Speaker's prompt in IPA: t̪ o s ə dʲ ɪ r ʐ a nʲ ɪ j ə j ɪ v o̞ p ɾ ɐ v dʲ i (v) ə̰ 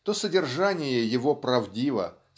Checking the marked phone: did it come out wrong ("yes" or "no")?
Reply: no